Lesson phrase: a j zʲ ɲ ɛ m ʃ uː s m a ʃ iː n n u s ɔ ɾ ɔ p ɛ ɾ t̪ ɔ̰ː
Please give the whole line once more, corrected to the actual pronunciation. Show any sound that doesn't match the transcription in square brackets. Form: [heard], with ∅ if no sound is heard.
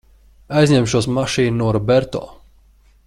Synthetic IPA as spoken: a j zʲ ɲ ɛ m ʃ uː s m a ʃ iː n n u [∅] ɔ ɾ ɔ [b] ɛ ɾ t̪ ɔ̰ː